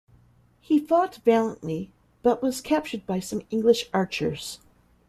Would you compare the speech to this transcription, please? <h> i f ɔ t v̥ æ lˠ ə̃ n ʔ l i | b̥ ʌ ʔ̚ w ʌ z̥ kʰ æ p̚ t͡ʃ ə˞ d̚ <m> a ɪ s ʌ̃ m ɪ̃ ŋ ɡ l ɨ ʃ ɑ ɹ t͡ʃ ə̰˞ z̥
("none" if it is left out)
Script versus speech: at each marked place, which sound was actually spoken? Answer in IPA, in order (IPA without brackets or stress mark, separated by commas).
h, b